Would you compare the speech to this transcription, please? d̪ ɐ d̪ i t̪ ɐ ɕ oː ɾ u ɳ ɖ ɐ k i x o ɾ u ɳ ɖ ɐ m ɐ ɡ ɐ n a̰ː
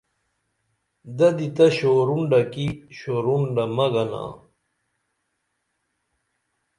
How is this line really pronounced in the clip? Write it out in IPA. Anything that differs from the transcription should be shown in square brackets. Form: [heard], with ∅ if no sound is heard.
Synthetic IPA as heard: d̪ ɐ d̪ i t̪ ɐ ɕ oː ɾ u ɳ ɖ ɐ k i [ɕ] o ɾ u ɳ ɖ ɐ m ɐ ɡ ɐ n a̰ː